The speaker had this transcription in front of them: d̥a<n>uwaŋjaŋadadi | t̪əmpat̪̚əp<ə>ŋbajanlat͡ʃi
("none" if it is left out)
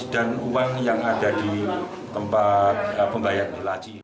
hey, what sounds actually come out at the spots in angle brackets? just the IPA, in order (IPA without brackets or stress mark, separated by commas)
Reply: n, ə